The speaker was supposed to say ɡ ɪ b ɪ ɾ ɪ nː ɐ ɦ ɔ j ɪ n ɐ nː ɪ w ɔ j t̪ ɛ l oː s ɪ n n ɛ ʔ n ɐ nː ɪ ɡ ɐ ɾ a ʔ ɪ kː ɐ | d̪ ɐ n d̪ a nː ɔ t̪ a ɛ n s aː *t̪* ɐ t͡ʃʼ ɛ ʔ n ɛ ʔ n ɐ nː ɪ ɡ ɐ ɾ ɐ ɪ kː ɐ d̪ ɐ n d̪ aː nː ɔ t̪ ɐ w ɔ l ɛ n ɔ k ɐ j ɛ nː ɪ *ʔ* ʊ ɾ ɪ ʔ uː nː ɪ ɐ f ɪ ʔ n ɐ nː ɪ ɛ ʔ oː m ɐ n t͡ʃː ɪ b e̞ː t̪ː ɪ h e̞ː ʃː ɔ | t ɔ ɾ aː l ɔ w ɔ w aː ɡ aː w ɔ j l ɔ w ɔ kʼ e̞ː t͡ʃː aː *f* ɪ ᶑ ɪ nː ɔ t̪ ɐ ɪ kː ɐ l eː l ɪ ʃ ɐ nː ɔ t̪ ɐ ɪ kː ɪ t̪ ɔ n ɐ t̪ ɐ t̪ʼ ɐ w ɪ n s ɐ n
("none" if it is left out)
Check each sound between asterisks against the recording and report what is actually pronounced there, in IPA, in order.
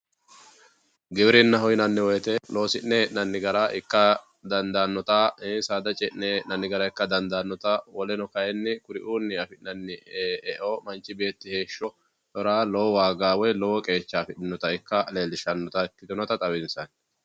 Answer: d̪, k, f

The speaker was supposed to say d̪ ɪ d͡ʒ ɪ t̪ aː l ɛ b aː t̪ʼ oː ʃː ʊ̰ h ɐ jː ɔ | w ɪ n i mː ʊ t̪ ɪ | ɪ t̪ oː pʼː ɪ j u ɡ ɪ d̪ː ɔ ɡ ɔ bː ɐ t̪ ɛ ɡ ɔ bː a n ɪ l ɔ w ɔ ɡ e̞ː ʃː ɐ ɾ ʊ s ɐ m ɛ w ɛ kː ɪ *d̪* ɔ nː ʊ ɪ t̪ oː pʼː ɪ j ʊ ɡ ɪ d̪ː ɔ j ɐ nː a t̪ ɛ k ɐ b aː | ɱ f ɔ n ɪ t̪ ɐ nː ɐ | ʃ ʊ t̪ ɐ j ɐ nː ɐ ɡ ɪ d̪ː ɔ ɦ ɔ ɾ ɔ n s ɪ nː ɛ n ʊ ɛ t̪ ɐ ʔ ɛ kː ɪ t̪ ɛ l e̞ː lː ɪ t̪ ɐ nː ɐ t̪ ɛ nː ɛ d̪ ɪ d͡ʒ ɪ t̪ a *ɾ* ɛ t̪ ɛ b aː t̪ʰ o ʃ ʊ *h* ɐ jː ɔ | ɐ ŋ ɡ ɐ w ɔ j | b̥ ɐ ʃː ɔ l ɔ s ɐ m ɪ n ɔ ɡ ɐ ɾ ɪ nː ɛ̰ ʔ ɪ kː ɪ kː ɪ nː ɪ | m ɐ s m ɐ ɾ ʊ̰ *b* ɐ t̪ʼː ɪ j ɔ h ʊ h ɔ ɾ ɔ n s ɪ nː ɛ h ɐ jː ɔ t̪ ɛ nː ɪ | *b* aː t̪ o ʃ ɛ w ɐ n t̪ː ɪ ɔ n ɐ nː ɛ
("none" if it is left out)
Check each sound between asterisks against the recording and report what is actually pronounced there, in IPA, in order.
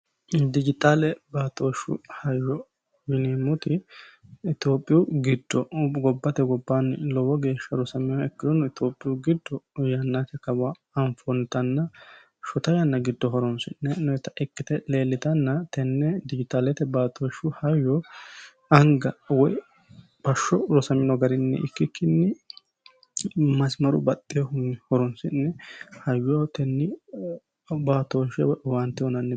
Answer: d̪, l, h, b, b

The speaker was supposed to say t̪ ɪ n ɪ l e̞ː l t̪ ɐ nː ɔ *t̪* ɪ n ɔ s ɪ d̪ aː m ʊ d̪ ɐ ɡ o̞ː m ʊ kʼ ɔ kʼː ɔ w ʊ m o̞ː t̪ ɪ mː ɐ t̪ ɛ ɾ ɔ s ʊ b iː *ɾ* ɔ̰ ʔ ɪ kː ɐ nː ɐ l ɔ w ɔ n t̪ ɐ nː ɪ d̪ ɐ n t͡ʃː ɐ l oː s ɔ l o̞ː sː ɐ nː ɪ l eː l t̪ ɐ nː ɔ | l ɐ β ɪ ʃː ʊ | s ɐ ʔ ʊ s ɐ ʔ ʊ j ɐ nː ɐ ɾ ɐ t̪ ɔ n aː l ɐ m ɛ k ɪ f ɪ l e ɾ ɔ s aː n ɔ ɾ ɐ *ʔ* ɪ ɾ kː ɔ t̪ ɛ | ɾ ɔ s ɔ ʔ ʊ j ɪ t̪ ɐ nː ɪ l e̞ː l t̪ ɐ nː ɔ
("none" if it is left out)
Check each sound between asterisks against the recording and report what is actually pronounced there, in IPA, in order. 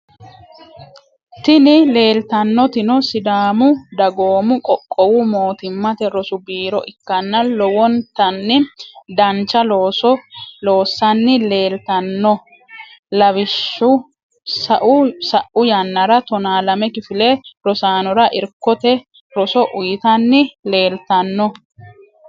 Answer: t̪, ɾ, ʔ

